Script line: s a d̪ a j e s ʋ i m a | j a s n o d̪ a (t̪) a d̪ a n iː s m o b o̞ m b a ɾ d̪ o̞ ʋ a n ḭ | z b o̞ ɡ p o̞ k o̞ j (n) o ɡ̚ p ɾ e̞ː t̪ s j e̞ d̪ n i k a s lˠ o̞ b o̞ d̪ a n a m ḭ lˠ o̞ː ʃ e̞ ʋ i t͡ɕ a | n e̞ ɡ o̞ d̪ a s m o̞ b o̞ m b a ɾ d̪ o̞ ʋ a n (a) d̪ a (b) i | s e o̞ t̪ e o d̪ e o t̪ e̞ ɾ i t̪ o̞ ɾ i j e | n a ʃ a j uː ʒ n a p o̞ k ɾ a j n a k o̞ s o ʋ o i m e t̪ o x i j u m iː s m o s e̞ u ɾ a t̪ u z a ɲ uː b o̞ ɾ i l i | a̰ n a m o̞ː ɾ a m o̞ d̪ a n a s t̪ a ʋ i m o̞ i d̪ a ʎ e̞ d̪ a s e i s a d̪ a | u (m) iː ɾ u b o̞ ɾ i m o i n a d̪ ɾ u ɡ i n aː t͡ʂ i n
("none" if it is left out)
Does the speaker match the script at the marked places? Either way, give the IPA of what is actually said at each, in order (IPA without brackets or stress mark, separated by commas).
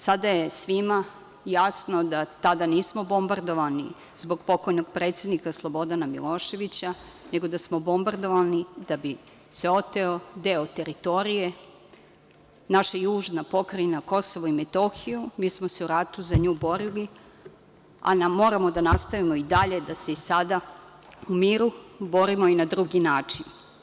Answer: t̪, n, i, b, m